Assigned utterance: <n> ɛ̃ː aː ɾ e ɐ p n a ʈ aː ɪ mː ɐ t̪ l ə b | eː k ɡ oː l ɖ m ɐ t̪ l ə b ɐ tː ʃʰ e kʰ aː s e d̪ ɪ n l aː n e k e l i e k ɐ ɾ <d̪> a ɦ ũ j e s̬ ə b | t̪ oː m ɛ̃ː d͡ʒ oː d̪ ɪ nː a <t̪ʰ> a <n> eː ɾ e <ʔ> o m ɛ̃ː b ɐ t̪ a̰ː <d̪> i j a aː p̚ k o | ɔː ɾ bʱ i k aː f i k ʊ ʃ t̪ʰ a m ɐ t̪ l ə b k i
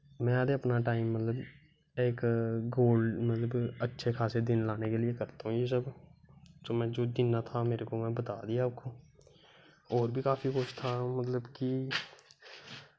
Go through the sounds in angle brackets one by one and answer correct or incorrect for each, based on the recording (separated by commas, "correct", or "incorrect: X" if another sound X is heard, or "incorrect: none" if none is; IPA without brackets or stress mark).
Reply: incorrect: m, incorrect: t̪, correct, incorrect: m, incorrect: k, correct